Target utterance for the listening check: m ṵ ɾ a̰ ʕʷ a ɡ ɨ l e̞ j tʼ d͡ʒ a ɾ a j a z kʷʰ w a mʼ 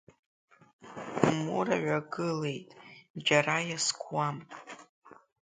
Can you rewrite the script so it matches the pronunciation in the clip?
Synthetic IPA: m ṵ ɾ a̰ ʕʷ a ɡ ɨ l e̞ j tʼ d͡ʒ a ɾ a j a s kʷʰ w a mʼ